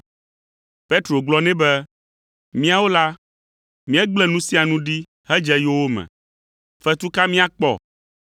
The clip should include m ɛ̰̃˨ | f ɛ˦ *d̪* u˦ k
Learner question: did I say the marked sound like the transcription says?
no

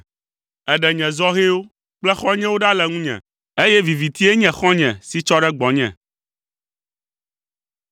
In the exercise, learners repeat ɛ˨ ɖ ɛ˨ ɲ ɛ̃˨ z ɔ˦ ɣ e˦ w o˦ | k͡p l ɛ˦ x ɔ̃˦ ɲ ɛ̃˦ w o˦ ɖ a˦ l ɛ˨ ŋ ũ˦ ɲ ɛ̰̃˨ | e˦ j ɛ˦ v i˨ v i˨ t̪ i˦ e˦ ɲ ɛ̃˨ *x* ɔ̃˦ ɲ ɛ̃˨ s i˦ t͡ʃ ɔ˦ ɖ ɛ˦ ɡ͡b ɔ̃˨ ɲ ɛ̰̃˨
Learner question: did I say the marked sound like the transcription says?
yes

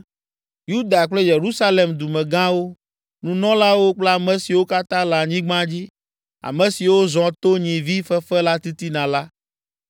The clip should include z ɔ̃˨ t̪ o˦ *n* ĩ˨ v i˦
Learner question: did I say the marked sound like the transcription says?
no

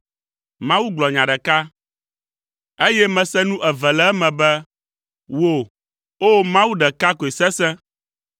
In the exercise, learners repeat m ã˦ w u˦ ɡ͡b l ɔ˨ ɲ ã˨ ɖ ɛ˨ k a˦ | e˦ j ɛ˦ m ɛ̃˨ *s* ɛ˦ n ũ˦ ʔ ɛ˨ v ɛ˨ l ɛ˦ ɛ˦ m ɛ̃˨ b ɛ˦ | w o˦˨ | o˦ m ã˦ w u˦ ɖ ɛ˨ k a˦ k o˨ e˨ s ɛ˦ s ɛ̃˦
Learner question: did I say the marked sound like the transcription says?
yes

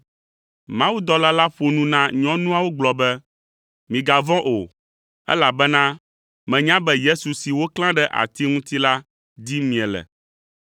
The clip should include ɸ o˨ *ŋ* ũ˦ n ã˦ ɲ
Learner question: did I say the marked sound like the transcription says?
no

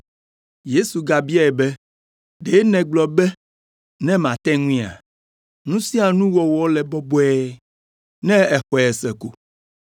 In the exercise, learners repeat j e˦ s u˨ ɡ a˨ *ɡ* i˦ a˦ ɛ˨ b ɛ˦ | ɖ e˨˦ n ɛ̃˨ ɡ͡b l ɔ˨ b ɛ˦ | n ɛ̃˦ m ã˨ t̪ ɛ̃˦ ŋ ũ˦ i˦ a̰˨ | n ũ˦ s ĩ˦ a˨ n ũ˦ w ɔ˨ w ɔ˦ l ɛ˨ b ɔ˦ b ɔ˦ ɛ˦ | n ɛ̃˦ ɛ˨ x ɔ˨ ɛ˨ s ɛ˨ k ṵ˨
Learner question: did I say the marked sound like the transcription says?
no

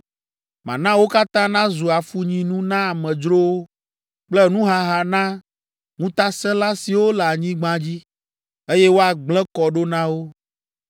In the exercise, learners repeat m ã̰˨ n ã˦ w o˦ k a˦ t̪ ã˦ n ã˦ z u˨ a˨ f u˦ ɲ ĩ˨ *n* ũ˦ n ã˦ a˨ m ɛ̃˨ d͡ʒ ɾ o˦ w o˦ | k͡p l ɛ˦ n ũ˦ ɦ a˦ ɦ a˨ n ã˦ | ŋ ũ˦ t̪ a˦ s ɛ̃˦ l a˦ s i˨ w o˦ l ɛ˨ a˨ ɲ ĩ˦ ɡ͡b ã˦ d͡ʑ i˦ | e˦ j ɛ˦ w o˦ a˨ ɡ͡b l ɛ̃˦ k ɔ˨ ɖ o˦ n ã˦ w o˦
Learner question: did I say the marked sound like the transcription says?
yes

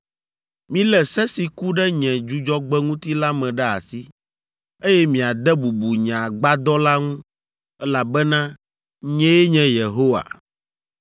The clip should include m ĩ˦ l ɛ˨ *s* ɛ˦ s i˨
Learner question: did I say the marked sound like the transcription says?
yes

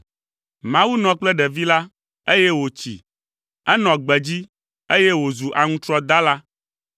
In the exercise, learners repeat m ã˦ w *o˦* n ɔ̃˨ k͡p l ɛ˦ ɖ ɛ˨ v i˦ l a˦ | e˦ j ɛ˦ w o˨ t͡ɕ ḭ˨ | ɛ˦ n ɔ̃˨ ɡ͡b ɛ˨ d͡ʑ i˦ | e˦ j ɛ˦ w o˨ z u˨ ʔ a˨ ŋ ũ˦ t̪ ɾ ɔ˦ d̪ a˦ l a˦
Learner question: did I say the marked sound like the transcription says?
no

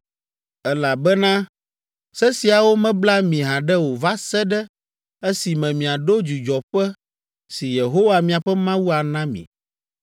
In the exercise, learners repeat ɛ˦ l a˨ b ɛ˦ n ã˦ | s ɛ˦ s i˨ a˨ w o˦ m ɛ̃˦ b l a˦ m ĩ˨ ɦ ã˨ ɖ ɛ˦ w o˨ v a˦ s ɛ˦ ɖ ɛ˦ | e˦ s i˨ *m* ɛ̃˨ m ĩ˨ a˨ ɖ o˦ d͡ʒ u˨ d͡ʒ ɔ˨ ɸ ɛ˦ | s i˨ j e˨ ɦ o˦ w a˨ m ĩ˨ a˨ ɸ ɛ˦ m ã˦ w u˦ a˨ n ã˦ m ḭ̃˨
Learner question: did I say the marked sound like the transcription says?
yes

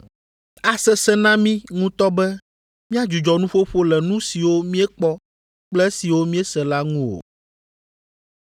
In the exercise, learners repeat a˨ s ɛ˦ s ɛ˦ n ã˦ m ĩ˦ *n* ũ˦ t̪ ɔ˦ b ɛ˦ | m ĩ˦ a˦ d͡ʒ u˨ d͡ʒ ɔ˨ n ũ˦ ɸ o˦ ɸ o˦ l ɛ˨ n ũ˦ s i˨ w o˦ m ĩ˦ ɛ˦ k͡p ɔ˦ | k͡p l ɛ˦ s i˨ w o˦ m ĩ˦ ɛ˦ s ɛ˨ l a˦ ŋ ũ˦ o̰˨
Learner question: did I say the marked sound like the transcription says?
no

